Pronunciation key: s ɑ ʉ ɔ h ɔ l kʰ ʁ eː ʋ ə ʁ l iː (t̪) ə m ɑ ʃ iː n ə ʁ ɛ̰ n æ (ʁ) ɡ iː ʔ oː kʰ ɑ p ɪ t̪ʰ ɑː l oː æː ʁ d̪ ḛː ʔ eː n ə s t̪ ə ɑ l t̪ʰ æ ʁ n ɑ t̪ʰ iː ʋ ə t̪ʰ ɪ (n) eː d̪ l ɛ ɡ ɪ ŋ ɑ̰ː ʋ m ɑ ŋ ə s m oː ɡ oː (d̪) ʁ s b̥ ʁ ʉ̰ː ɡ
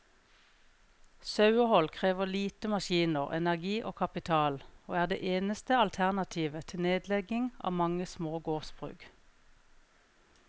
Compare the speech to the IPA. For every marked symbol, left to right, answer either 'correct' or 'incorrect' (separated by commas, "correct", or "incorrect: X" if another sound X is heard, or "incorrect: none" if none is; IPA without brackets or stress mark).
correct, correct, correct, incorrect: none